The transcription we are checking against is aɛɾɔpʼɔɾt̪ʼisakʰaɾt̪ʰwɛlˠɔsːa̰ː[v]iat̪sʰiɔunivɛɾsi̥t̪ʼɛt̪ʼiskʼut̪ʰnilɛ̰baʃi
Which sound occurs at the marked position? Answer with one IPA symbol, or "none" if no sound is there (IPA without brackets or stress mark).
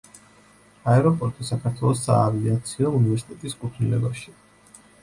v